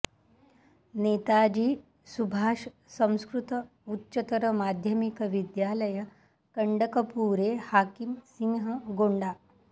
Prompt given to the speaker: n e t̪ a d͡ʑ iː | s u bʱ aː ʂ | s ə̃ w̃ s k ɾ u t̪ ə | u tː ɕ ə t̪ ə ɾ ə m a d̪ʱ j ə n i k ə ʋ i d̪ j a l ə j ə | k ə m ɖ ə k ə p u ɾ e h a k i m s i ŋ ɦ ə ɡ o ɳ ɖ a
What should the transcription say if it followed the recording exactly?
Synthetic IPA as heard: n e t̪ a d͡ʑ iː | s u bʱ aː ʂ | s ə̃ w̃ s k ɾ u t̪ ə | u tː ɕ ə t̪ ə ɾ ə m a d̪ʱ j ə m i k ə ʋ i d̪ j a l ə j ə | k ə ɳ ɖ ə k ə p u ɾ e h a k i m s i ŋ ɦ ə ɡ o ɳ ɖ a